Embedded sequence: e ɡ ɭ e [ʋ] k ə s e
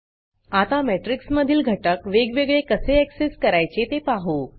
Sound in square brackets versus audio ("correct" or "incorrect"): incorrect